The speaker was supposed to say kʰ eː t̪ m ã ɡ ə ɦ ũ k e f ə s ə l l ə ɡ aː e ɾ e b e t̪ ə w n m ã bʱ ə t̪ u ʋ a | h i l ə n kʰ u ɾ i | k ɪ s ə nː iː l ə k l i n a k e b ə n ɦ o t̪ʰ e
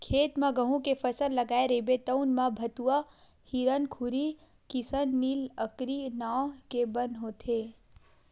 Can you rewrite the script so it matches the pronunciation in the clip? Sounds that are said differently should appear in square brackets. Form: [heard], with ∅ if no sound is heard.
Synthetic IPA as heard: kʰ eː t̪ m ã ɡ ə ɦ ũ k e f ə s ə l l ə ɡ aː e ɾ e b e t̪ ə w n m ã bʱ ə t̪ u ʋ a | h i [ɾ] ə n kʰ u ɾ i | k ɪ s ə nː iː l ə k [ɾ] i n a k e b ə n ɦ o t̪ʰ e